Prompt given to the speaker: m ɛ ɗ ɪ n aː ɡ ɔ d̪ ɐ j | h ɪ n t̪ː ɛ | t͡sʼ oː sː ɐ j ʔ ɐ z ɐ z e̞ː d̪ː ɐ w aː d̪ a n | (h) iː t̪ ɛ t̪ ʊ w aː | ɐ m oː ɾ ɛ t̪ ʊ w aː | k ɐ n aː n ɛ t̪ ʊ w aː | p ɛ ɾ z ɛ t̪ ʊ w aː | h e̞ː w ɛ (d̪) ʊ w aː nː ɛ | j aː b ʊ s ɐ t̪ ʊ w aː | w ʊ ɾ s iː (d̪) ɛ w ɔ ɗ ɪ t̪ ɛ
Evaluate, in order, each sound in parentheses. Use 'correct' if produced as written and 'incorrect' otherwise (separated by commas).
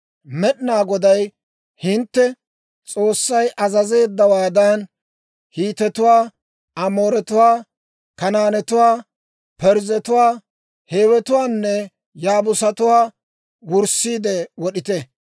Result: correct, incorrect, correct